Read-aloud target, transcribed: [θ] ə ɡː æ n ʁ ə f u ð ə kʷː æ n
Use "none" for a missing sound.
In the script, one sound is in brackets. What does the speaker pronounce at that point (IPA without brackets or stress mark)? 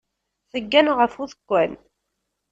θ